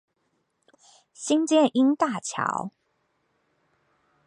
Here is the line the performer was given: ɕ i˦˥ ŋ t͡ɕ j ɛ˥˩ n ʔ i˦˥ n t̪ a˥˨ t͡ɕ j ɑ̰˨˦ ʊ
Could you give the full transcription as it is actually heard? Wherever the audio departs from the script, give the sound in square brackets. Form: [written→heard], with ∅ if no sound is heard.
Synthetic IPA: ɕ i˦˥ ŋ t͡ɕ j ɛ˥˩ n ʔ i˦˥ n t̪ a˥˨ [t͡ɕ→t͡ɕʰ] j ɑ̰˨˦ ʊ